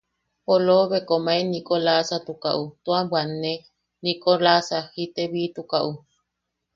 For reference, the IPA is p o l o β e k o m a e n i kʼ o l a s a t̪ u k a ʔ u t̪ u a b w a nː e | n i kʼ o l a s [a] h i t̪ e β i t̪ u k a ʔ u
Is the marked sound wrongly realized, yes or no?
no